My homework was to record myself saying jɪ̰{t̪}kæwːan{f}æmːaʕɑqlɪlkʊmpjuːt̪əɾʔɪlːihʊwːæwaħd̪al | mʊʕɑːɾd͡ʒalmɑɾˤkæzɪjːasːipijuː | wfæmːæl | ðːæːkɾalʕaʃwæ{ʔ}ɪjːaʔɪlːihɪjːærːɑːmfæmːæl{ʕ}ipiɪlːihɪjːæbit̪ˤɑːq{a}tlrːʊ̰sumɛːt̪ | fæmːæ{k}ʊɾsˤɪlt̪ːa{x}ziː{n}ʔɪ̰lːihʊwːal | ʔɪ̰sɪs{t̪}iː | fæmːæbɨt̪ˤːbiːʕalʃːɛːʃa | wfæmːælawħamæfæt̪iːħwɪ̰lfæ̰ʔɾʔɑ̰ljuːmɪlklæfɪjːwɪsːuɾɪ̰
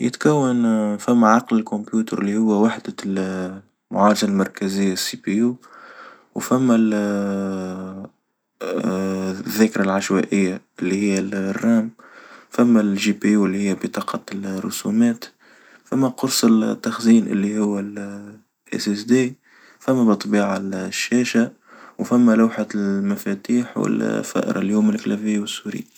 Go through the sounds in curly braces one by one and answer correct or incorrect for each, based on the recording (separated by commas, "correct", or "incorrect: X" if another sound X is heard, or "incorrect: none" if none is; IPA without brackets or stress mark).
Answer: correct, correct, correct, incorrect: ʒ, incorrect: ɑ, incorrect: q, correct, correct, incorrect: d̪